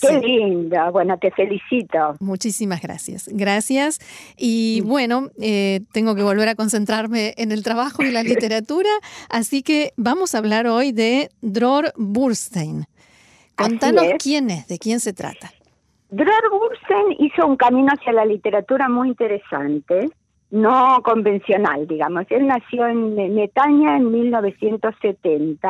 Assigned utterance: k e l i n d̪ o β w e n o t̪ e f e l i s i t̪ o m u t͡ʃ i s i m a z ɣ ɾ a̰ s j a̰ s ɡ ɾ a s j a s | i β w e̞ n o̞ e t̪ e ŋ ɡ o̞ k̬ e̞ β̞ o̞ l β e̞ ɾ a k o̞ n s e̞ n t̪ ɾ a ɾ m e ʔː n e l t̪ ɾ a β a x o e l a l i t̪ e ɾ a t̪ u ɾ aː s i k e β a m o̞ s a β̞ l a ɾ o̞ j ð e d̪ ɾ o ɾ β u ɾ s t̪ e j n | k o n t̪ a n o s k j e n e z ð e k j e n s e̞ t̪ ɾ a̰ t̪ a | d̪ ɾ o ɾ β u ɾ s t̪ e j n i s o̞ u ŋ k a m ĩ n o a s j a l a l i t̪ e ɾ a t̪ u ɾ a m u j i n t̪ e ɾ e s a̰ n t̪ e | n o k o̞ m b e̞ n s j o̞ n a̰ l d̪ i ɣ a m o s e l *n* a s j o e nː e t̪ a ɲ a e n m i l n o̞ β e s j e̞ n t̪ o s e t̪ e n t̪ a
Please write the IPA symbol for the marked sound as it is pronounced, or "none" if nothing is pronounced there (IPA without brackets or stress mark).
n